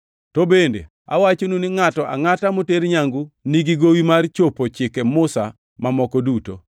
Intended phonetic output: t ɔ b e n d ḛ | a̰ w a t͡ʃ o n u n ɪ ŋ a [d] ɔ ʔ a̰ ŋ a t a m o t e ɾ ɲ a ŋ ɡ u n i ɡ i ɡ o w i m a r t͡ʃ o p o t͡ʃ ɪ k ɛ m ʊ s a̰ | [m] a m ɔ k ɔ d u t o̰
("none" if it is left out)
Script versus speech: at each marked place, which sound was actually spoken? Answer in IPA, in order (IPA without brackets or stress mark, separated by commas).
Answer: t, m